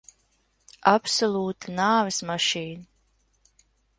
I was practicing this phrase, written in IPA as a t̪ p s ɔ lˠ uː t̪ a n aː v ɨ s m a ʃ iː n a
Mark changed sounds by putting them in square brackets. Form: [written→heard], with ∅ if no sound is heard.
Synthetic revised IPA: a [t̪→∅] p s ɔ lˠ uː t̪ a n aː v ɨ s m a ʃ iː n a